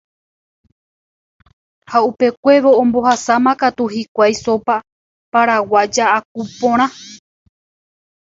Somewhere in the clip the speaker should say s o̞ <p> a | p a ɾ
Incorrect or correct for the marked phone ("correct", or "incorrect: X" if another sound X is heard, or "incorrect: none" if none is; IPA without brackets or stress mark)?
correct